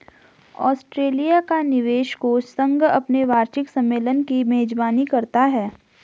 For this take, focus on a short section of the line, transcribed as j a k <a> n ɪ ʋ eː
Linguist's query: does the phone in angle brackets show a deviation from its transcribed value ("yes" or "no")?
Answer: no